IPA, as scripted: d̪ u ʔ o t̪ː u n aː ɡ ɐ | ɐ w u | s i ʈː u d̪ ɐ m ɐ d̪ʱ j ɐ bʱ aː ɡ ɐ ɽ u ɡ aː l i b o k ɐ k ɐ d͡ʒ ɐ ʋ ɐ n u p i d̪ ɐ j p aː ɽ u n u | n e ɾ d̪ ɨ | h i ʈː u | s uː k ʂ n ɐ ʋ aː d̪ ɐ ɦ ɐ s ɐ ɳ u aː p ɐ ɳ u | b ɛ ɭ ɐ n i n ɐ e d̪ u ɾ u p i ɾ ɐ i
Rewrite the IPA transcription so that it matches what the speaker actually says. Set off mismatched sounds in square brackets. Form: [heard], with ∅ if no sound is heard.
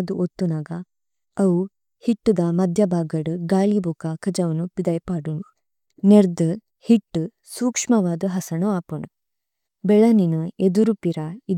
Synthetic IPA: d̪ u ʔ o t̪ː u n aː ɡ ɐ | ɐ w u | [h] i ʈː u d̪ ɐ m ɐ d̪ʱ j ɐ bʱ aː ɡ ɐ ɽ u ɡ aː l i b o k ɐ k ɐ d͡ʒ ɐ ʋ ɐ n u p i d̪ ɐ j p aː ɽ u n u | n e ɾ d̪ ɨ | h i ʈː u | s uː k ʂ [m] ɐ ʋ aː d̪ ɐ ɦ ɐ s ɐ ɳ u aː p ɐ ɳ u | b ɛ ɭ ɐ n i n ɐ e d̪ u ɾ u p i ɾ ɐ i